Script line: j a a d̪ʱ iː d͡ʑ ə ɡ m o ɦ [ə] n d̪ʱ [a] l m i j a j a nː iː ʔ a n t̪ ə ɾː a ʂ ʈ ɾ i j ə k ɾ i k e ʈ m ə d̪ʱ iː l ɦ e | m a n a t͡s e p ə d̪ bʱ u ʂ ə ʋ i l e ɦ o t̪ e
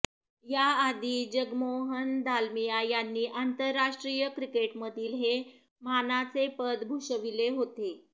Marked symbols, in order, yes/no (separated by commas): yes, yes